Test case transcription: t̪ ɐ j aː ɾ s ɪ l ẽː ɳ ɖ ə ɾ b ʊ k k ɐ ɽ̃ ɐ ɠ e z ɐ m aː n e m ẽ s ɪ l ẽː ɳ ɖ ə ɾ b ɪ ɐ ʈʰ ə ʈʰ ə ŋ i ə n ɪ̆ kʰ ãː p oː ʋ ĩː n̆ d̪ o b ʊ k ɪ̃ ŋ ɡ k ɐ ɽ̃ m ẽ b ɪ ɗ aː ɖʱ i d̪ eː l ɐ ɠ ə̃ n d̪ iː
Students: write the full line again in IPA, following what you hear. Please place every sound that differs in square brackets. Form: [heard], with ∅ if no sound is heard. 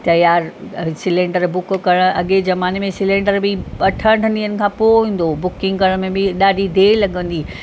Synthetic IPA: t̪ ɐ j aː ɾ s ɪ l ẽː ɳ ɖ ə ɾ b ʊ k k ɐ ɽ̃ ɐ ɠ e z ɐ m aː n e m ẽ s ɪ l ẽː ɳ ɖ ə ɾ b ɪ ɐ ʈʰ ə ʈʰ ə [n] i ə n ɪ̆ kʰ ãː p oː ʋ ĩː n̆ d̪ o b ʊ k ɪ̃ ŋ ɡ k ɐ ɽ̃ m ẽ b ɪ ɗ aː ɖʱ i d̪ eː l ɐ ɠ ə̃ n d̪ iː